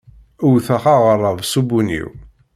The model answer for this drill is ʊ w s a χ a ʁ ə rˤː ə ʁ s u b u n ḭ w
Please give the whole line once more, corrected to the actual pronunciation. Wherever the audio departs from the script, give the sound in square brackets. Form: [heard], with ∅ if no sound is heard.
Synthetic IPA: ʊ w [θ] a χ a ʁ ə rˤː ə [v] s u b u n ḭ w